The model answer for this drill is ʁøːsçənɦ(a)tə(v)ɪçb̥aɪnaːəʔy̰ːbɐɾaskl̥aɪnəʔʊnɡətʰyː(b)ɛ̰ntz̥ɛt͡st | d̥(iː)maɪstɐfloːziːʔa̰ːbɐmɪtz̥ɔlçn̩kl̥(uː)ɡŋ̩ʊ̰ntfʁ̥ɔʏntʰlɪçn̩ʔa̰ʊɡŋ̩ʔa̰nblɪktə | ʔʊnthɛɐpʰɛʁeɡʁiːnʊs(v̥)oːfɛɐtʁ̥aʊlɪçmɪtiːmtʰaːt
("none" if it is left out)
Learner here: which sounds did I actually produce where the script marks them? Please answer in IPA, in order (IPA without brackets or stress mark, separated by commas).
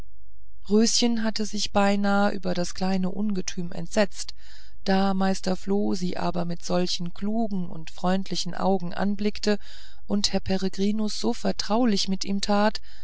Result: a, z, m, aː, uː, z̥